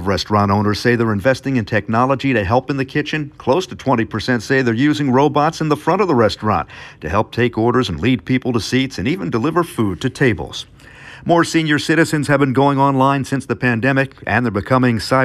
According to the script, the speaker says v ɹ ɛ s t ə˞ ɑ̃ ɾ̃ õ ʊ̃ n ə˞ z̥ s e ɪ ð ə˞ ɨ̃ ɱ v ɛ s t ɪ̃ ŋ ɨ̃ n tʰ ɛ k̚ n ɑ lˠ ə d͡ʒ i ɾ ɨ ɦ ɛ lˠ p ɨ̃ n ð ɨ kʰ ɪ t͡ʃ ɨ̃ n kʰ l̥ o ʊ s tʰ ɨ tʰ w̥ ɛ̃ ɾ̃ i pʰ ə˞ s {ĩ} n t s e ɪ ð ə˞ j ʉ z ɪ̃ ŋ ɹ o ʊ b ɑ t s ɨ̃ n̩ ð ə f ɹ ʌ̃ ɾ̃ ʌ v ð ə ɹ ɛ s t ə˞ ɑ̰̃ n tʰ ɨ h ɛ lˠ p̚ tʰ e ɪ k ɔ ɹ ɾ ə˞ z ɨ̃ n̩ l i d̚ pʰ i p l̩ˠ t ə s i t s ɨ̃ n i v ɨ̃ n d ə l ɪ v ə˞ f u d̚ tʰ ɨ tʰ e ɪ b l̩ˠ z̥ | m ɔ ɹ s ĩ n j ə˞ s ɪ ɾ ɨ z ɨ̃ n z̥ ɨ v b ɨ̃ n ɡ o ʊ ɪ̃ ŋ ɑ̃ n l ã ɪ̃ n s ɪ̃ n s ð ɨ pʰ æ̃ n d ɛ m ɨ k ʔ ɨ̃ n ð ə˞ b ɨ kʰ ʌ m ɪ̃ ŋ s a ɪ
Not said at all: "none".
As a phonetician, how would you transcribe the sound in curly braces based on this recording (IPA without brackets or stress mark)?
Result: ɛ̃